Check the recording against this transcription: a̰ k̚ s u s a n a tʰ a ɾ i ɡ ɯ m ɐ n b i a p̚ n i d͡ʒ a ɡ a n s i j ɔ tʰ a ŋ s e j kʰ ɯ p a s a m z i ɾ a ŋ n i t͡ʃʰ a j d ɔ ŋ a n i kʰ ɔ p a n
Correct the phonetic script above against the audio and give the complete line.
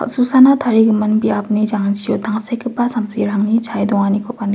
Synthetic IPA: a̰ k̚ s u s a n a tʰ a ɾ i ɡ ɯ m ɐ n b i a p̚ n i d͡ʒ a ŋ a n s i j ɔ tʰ a ŋ s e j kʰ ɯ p a s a m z i ɾ a ŋ n i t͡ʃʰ a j d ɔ ŋ a n i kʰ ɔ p a n